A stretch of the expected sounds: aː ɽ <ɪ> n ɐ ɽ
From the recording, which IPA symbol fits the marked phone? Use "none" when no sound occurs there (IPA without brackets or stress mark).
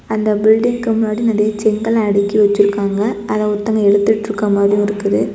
i